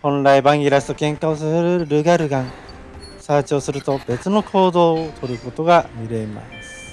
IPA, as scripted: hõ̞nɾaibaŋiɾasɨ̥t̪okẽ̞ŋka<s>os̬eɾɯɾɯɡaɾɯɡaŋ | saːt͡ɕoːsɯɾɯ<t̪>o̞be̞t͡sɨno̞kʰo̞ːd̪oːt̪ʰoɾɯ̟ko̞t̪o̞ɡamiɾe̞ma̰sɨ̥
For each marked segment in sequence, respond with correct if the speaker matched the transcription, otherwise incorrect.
incorrect, correct

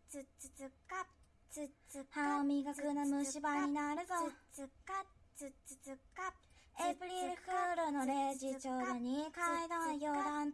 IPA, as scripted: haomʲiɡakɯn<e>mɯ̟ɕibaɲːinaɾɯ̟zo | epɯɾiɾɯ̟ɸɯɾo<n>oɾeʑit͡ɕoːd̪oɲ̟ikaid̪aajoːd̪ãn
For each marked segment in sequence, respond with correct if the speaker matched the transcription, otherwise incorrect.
incorrect, correct

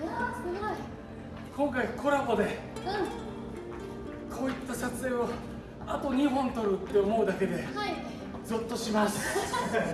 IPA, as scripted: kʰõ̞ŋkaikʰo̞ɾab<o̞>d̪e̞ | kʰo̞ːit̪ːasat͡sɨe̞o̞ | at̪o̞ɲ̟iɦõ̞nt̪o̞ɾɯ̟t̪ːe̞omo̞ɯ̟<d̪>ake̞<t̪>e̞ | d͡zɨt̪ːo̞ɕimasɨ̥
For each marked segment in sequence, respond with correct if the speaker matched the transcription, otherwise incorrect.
correct, correct, incorrect

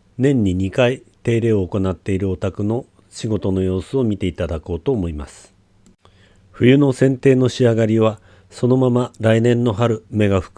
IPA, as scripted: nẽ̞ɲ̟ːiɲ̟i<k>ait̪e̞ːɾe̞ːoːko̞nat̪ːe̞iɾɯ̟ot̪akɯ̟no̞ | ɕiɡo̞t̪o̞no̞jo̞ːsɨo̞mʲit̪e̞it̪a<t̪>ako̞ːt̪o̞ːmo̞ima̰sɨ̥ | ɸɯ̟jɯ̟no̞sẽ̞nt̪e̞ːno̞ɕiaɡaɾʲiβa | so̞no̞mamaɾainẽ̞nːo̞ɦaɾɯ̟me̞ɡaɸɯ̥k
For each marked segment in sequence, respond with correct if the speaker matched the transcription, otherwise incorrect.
correct, incorrect

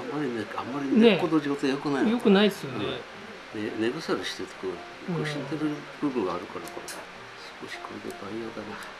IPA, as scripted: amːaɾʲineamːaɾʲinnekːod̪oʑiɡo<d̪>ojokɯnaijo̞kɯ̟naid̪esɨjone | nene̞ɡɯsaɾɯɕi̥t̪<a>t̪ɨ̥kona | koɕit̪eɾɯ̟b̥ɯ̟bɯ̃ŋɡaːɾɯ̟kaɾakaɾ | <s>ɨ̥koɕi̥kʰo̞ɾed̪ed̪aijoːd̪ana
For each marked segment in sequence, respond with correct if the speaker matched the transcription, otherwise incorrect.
incorrect, incorrect, correct

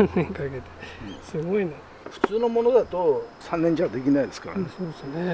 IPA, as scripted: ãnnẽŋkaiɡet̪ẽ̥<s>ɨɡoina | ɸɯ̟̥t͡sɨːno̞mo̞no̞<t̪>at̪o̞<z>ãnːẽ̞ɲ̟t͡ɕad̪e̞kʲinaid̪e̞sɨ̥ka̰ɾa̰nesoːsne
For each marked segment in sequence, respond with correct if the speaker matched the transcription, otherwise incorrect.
correct, incorrect, incorrect

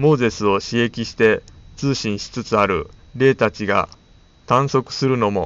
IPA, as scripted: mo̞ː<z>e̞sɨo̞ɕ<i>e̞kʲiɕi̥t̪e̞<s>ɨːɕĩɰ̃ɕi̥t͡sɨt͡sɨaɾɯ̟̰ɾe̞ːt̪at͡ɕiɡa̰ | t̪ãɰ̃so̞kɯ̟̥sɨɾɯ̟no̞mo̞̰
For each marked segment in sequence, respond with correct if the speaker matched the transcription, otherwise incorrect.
correct, correct, incorrect

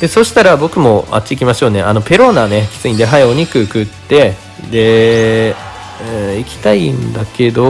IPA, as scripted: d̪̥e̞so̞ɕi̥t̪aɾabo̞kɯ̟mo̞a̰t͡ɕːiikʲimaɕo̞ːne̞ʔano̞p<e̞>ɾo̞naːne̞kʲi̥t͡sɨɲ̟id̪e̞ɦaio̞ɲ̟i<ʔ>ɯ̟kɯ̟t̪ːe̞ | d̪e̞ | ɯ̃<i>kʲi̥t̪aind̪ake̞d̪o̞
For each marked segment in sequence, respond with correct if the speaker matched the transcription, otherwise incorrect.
correct, incorrect, correct

